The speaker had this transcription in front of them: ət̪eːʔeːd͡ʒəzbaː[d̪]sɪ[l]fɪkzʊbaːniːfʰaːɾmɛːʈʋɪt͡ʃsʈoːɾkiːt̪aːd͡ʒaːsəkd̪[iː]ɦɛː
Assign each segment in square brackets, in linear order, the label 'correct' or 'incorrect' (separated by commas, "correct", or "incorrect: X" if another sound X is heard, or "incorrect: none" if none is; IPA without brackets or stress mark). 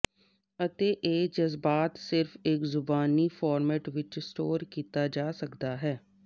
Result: incorrect: t̪, incorrect: ɾ, incorrect: aː